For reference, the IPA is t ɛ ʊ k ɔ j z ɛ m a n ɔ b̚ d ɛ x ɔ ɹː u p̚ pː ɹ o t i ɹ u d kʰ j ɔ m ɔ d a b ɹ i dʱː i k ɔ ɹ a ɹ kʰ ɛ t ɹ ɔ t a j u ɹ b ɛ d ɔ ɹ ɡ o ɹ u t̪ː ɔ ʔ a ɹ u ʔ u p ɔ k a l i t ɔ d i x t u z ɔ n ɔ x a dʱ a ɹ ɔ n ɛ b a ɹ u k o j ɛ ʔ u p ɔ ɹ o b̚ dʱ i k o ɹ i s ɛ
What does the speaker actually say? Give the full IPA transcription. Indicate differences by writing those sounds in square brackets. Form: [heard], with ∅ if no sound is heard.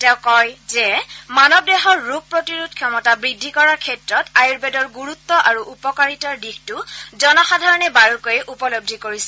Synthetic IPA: t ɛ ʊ k ɔ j z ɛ m a n ɔ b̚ d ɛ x ɔ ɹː u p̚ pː ɹ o t i ɹ u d kʰ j ɔ m ɔ [t] a b ɹ i dʱː i k ɔ ɹ a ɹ kʰ ɛ t ɹ ɔ t a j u ɹ b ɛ d ɔ ɹ ɡ [u] ɹ u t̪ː ɔ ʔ a ɹ u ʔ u p ɔ k a [ɹ] i t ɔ d i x t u z ɔ n ɔ x a dʱ a ɹ ɔ n ɛ b a ɹ u k o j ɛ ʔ u p ɔ [l] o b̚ dʱ i k o ɹ i s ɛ

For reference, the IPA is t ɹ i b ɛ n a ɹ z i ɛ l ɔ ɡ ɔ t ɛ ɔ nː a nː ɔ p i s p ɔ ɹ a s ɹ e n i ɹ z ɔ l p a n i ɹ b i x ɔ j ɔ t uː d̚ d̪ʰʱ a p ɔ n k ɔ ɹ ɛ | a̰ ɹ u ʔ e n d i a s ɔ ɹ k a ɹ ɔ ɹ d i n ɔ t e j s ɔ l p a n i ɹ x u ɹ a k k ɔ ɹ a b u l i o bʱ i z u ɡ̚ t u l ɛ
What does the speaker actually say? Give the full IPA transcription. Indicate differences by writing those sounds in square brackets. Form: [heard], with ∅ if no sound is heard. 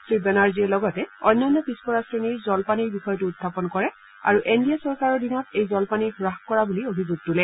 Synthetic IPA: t ɹ i b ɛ n a ɹ z i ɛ l ɔ ɡ ɔ t ɛ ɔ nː a nː ɔ p i s p ɔ ɹ a s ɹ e n i ɹ z ɔ l p a n i ɹ b i x ɔ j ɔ t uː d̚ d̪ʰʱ a p ɔ n k ɔ ɹ ɛ | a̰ ɹ u ʔ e n d i a s ɔ ɹ k a ɹ ɔ ɹ d i n ɔ t e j [z] ɔ l p a n i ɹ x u ɹ a [x] k ɔ ɹ a b u l i o bʱ i z u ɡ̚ t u l ɛ

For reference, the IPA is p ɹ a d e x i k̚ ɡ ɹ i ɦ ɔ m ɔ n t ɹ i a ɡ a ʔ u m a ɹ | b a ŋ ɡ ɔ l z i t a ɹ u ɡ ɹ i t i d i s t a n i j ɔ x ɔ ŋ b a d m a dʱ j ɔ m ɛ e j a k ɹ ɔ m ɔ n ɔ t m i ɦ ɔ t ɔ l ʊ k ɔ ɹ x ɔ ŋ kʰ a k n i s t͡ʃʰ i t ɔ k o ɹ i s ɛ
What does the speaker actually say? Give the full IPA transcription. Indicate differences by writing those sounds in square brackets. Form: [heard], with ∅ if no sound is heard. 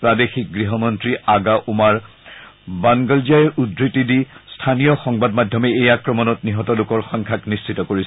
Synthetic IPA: p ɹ a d e x i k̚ ɡ ɹ i ɦ ɔ m ɔ n t ɹ i a ɡ a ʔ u m a ɹ | b a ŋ ɡ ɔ l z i [∅] a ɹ u [d] ɹ i t i d i s [tʰ] a n i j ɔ x ɔ ŋ b a d m a dʱ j ɔ m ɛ e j a k ɹ ɔ m ɔ n ɔ t [n] i ɦ ɔ t ɔ l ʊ k ɔ ɹ x ɔ ŋ kʰ a k n i s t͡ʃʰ i t ɔ k o ɹ i s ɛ

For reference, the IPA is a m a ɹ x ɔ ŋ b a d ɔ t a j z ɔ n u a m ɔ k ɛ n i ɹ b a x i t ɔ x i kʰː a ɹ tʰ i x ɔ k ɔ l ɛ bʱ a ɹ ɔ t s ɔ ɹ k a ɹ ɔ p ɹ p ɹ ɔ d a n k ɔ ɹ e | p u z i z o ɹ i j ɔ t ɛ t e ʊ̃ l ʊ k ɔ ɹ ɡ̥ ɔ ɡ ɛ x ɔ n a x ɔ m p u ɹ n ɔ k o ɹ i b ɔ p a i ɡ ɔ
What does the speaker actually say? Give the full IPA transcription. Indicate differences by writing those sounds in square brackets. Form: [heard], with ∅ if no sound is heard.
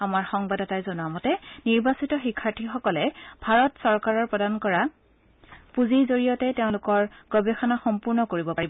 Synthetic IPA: a m a ɹ x ɔ ŋ b a d ɔ t a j z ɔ n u a m ɔ [t] ɛ n i ɹ b a [s] i t ɔ x i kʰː a ɹ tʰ i x ɔ k ɔ l ɛ bʱ a ɹ ɔ t s ɔ ɹ k a ɹ ɔ [∅] ɹ p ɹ ɔ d a n k ɔ ɹ [a] | p u z i z o ɹ i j ɔ t ɛ t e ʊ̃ l ʊ k ɔ ɹ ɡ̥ ɔ [b] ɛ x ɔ n a x ɔ m p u ɹ n ɔ k o ɹ i b ɔ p a i [b] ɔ

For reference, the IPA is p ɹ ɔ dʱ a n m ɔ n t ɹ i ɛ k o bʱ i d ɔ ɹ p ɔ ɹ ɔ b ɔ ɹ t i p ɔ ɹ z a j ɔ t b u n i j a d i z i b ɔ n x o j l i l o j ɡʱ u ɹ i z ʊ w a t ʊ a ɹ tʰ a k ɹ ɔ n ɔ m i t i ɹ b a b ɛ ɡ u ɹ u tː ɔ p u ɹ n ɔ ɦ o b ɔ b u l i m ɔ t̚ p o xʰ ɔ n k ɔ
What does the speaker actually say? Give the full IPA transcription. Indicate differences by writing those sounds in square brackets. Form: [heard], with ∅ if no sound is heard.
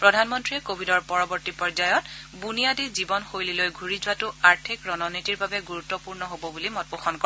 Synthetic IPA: p ɹ ɔ dʱ a n m ɔ n t ɹ i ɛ k o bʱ i d ɔ ɹ p ɔ ɹ ɔ b ɔ ɹ t i p ɔ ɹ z a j ɔ t b u n i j a d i z i b ɔ n x o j l i l o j ɡʱ u ɹ i z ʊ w a t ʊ a ɹ tʰ [i] k ɹ ɔ n ɔ [n] i t i ɹ b a b ɛ ɡ u ɹ u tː ɔ p u ɹ n ɔ ɦ o b ɔ b u l i m ɔ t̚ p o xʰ ɔ n k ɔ

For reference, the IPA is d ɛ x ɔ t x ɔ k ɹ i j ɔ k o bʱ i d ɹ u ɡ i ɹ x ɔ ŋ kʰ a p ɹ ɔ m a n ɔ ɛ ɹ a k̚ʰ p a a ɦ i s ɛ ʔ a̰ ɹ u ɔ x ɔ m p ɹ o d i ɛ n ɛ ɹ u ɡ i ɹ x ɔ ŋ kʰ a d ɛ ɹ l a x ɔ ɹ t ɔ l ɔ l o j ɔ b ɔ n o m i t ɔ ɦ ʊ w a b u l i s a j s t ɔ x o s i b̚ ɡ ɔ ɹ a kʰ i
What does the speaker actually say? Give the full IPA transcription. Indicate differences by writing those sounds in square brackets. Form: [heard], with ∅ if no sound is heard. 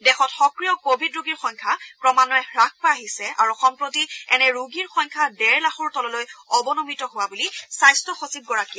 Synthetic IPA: d ɛ x ɔ t x ɔ k ɹ i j ɔ k o bʱ i d ɹ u ɡ i ɹ x ɔ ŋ kʰ a p ɹ ɔ m a n ɔ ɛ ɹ a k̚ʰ p a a ɦ i s ɛ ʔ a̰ ɹ u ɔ x ɔ m p ɹ o [t] i ɛ n ɛ ɹ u ɡ i ɹ x ɔ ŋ kʰ a d ɛ ɹ l a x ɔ ɹ t ɔ l ɔ l o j ɔ b ɔ n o m i t ɔ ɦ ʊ w a b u l i s a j s t ɔ x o s i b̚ ɡ ɔ ɹ a [k] i

